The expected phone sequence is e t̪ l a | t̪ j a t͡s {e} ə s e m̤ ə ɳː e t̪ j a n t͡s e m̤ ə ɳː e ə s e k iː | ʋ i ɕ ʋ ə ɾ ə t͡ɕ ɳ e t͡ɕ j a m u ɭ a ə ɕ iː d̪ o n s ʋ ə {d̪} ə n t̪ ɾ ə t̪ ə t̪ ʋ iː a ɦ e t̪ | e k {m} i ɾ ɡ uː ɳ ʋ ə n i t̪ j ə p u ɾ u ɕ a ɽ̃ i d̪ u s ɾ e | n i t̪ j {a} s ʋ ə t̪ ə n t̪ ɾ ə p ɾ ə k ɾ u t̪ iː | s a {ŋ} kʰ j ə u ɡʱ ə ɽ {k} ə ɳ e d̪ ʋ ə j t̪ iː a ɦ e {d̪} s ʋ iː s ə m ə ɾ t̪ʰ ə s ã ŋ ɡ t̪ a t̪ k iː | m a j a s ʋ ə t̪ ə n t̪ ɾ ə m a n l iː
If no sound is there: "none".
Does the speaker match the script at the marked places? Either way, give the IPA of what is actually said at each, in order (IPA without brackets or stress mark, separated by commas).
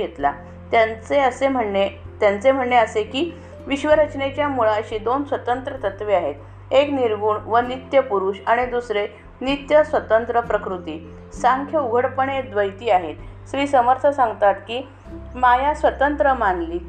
e, t̪, n, ə, ŋ, p, t̪